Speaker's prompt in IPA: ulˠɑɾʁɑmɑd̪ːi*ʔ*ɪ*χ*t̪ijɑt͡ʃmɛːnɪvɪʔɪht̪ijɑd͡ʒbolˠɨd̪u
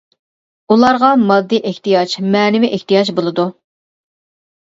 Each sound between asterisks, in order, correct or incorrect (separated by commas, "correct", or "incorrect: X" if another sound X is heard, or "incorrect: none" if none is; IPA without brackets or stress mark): correct, incorrect: h